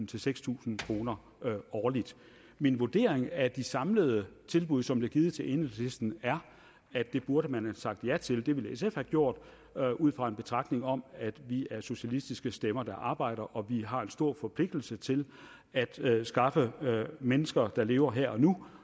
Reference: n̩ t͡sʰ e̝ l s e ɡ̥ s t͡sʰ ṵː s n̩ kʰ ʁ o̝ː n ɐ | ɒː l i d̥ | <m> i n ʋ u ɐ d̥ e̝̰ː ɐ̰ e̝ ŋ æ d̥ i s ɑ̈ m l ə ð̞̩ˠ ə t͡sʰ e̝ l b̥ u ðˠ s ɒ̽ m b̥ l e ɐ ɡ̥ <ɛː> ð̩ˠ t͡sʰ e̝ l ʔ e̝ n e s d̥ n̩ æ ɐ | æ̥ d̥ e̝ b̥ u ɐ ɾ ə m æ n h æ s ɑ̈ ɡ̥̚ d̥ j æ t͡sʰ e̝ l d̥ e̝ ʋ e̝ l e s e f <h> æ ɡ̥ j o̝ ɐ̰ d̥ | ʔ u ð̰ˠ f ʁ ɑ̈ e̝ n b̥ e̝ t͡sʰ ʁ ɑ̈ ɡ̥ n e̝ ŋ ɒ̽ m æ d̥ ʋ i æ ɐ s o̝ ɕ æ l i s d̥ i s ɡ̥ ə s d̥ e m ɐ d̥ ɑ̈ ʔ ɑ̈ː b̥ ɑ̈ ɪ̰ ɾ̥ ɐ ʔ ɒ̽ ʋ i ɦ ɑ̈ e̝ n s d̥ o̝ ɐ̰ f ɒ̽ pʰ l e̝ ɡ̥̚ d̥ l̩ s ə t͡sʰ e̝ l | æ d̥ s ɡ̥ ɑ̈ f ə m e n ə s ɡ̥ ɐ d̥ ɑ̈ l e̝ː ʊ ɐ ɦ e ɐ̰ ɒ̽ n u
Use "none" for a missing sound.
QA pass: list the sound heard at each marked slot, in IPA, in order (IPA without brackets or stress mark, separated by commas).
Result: m, iː, h